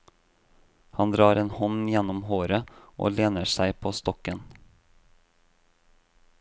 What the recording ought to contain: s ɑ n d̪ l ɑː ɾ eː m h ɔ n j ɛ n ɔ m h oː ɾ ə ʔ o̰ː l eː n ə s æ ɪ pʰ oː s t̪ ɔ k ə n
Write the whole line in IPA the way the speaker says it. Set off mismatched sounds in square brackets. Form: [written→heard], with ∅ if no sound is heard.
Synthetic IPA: [s→h] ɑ n d̪ [l→ɾ] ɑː ɾ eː [m→n] h ɔ n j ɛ n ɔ m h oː ɾ ə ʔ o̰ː l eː n ə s æ ɪ pʰ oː s t̪ ɔ k ə n